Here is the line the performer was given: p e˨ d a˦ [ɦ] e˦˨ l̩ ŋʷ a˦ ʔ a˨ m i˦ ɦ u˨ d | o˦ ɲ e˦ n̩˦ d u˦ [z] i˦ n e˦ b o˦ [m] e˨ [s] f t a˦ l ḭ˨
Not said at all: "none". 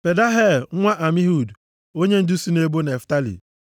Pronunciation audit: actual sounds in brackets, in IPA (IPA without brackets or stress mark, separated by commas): ɦ, s, n, none